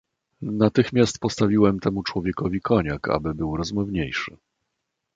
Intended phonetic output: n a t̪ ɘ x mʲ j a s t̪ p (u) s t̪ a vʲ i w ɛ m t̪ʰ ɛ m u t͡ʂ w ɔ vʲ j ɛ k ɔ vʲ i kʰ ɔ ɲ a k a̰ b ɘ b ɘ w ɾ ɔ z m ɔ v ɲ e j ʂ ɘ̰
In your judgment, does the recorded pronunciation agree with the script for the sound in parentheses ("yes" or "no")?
no